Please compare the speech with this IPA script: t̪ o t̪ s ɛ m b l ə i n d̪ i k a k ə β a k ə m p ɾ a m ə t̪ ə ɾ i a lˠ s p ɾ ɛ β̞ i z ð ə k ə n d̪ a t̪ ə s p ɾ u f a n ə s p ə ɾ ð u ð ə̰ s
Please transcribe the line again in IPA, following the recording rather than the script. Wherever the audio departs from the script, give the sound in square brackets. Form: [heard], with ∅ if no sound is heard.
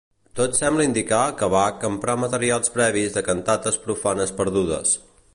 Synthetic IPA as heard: t̪ o t̪ s ɛ m b l ə i n d̪ i k a k ə β a k ə m p ɾ a m ə t̪ ə ɾ i a lˠ s p ɾ ɛ β̞ i z ð ə k ə n [t̪] a t̪ ə s p ɾ u f a n ə s p ə ɾ ð u ð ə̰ s